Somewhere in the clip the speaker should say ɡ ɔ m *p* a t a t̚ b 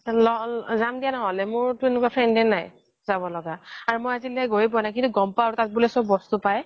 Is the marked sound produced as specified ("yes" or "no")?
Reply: yes